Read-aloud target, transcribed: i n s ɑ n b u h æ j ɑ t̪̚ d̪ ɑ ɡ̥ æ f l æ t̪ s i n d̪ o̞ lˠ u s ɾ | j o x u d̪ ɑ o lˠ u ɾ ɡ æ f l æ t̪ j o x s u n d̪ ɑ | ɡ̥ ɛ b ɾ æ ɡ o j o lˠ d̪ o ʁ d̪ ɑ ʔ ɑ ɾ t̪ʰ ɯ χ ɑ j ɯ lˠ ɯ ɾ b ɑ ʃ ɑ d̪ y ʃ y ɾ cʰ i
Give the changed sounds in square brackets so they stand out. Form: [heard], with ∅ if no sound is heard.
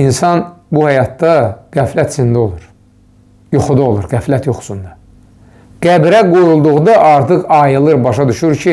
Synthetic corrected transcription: i n s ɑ n b u h æ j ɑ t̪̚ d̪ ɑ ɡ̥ æ f l æ t̪ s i n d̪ o̞ lˠ u [∅] ɾ | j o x u d̪ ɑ o lˠ u ɾ ɡ æ f l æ t̪ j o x s u n d̪ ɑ | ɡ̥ [æ] b ɾ æ ɡ o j [u] lˠ d̪ [u] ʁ d̪ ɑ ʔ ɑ ɾ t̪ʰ ɯ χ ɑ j ɯ lˠ ɯ ɾ b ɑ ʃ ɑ d̪ y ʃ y ɾ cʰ i